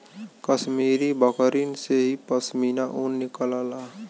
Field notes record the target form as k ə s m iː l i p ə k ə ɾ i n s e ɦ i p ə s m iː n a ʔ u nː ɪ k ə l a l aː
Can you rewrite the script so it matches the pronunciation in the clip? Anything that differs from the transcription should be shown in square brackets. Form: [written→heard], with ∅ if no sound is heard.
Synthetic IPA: k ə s m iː [l→ɾ] i [p→b] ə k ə ɾ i n s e ɦ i p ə s m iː n a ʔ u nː ɪ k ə l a l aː